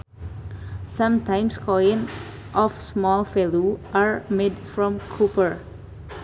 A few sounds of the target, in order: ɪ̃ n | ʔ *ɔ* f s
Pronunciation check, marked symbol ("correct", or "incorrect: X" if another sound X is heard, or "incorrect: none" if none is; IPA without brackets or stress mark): correct